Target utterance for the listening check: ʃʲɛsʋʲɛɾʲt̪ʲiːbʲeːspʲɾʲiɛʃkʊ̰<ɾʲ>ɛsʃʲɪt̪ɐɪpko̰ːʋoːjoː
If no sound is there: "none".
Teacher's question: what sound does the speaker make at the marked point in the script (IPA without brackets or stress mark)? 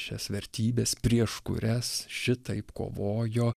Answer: ɾʲ